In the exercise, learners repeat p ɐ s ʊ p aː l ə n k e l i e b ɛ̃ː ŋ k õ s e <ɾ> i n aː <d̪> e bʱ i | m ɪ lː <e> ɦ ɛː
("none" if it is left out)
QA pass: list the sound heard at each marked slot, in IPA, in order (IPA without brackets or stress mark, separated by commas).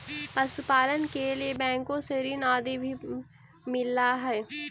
ɾ, d̪, a